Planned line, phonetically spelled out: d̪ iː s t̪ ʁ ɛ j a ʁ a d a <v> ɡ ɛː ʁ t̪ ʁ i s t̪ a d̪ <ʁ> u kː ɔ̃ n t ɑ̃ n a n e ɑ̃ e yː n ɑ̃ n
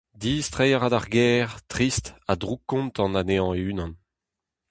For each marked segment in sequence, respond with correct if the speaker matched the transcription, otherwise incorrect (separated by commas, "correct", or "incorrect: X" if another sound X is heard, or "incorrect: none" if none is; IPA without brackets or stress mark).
incorrect: ʁ, correct